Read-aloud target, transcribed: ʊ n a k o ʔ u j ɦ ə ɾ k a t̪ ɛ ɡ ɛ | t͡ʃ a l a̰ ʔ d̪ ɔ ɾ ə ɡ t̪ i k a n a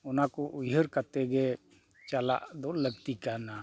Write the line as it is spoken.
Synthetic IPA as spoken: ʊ n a k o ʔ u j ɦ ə ɾ k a t̪ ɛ ɡ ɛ | t͡ʃ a l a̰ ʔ d̪ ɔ l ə ɡ t̪ i k a n a